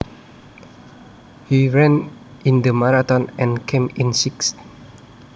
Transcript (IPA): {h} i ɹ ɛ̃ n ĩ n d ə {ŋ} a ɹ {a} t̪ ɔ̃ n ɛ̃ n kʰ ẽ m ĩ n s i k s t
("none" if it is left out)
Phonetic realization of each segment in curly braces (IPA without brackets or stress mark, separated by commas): h, m, a